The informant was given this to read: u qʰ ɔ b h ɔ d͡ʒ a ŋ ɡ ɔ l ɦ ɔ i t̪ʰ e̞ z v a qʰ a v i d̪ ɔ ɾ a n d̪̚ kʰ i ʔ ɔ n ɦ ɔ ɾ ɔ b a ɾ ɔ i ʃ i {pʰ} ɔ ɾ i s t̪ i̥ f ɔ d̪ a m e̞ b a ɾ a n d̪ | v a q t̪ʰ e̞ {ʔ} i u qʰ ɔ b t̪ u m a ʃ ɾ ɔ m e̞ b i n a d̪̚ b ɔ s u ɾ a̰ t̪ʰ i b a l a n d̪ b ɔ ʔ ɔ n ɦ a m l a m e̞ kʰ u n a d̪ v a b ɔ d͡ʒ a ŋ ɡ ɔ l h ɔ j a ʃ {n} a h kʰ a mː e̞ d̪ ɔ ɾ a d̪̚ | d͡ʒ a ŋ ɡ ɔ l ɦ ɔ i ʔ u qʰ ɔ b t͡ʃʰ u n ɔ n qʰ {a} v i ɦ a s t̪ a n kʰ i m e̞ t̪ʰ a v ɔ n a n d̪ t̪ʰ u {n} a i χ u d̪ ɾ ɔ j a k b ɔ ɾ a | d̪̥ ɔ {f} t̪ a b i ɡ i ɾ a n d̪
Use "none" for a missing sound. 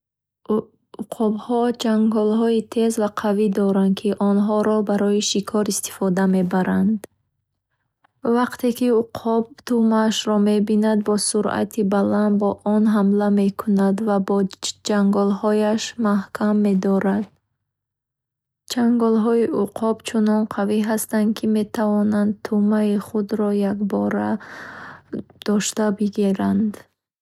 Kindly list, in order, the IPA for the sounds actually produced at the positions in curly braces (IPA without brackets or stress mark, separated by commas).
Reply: kʰ, k, m, a, m, ʃ